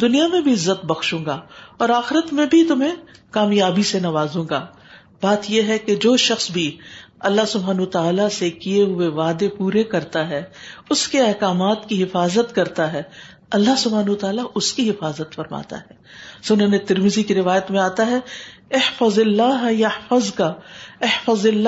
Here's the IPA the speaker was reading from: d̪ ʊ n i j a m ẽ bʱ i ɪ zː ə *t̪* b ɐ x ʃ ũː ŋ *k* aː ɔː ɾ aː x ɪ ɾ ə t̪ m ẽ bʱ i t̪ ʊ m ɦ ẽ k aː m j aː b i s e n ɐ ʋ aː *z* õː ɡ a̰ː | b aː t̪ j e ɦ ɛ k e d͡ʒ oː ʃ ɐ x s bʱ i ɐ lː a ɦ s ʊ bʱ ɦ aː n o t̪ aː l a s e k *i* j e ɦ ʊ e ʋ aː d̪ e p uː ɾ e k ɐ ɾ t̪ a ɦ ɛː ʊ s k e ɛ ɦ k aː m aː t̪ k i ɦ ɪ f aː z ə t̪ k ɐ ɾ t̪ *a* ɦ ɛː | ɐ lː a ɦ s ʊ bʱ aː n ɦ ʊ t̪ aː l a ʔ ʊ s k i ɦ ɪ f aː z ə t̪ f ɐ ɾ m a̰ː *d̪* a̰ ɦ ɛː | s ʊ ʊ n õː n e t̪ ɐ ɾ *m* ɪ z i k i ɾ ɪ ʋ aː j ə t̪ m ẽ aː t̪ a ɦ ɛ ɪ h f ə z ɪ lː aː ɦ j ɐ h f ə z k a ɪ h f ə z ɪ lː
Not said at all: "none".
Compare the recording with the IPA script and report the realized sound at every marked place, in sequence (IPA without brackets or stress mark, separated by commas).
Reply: t̪, ɡ, z, i, a, t̪, m